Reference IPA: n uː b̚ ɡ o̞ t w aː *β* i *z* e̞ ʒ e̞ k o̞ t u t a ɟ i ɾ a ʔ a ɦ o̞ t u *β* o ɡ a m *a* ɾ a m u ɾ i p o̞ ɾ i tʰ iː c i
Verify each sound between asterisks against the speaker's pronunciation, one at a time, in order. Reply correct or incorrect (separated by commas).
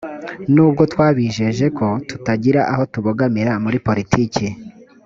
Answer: correct, incorrect, correct, incorrect